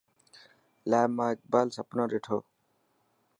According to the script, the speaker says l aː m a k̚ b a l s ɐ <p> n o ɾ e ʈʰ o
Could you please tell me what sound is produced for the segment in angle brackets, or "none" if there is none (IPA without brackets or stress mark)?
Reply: p